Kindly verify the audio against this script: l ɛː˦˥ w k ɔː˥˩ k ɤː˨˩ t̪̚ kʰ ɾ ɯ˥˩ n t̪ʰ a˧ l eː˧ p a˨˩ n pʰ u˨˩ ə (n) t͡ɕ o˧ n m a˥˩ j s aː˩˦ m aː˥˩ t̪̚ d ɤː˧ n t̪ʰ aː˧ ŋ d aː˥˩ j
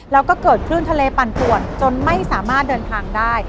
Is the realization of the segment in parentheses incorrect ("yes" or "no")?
no